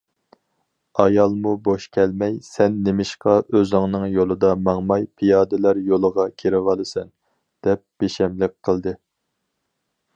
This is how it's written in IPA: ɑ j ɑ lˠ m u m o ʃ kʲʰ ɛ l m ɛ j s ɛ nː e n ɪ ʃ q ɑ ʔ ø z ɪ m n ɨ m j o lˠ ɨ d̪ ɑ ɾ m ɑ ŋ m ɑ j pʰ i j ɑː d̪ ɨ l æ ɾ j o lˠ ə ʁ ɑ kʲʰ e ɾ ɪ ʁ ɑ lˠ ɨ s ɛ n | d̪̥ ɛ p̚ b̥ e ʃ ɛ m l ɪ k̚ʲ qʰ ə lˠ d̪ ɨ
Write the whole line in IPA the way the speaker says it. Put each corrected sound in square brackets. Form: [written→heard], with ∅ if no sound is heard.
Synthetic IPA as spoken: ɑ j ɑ lˠ m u [m→b] o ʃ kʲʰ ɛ l m ɛ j s ɛ nː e [n→m] ɪ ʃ q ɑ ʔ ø z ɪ [m→ŋ] n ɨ [m→ŋ] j o lˠ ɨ d̪ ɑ [ɾ→∅] m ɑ ŋ m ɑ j pʰ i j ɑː d̪ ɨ l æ ɾ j o lˠ ə ʁ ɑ kʲʰ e ɾ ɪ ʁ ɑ lˠ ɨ s ɛ n | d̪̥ ɛ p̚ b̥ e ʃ ɛ m l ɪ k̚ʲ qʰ ə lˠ d̪ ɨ